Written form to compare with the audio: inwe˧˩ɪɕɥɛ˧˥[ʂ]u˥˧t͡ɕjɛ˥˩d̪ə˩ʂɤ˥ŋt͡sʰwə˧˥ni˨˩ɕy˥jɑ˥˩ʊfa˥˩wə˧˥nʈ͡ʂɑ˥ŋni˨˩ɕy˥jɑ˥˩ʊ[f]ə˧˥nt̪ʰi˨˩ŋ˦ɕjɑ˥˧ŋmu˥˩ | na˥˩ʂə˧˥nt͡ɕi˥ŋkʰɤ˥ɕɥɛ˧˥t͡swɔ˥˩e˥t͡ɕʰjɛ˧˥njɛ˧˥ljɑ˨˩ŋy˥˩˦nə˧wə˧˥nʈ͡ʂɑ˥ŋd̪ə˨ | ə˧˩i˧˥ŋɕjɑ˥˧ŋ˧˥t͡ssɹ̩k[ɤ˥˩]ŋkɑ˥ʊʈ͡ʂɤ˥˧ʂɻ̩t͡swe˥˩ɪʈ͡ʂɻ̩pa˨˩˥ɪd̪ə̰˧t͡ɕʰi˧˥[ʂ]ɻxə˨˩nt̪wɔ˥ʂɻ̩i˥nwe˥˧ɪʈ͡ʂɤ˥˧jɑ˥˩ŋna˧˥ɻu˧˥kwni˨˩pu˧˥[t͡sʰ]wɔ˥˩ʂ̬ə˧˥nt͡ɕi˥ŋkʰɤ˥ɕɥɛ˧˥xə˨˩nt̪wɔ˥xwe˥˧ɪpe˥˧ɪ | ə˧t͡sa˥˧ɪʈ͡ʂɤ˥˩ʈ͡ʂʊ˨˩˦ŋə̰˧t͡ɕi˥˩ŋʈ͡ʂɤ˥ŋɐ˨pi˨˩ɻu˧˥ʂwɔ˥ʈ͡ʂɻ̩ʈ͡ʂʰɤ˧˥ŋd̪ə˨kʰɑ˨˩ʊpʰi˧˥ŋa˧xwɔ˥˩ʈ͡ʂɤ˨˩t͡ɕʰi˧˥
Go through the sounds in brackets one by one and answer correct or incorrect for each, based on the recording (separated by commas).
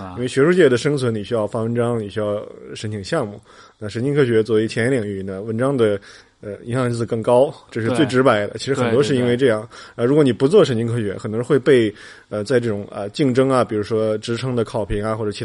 correct, incorrect, correct, correct, incorrect